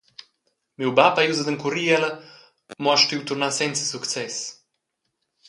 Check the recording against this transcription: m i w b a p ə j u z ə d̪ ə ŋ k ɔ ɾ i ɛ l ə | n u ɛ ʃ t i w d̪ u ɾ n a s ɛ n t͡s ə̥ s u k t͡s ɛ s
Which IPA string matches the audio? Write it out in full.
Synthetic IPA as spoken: m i w b a p a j u z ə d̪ ə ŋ k u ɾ i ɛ l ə | m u a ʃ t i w t̪ u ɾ n a s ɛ n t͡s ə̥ s u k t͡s ɛ s